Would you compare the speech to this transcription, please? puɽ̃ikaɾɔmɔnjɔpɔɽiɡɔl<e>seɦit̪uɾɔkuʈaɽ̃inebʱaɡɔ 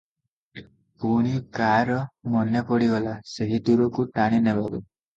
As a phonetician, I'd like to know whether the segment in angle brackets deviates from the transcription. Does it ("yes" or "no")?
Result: yes